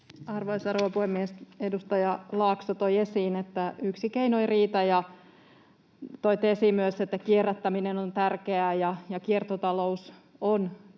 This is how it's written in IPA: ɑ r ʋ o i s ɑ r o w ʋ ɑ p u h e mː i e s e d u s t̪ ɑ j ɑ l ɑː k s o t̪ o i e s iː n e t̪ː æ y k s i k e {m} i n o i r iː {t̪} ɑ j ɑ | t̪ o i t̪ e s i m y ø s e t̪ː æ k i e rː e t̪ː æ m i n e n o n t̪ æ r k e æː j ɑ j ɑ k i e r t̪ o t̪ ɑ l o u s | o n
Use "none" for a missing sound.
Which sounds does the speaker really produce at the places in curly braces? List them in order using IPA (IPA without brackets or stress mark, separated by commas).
none, t̪